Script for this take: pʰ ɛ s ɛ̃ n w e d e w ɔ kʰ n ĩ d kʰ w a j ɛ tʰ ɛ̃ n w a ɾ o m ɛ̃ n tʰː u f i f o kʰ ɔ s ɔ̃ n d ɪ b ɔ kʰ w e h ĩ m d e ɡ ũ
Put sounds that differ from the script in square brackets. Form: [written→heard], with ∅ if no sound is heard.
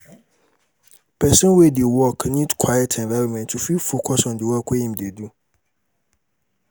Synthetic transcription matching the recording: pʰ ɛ s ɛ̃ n w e d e w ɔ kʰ n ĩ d kʰ w a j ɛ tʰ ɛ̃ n [w→v] a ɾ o m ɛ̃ n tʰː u f i f o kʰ ɔ s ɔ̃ n d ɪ [b→w] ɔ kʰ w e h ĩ m d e [ɡ→d] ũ